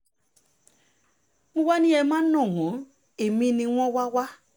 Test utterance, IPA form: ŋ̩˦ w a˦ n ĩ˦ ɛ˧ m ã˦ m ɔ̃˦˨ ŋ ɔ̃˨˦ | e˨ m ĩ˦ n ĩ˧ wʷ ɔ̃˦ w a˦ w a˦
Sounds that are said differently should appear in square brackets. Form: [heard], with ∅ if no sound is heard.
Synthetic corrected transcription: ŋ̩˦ w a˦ n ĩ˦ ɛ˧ m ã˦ [n] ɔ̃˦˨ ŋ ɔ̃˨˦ | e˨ m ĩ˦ n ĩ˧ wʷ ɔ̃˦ w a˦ w a˦